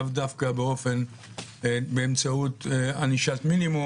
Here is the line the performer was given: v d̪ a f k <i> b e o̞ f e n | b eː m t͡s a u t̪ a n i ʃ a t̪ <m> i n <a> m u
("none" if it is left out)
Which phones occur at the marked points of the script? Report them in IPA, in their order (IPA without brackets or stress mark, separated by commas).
a, m, i